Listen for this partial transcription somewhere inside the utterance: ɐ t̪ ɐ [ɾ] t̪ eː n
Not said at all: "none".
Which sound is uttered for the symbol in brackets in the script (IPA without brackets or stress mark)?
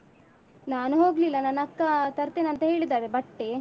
ɾ